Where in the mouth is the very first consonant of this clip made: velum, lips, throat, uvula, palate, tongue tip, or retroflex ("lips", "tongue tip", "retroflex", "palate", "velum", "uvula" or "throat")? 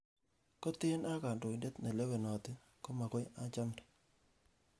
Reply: velum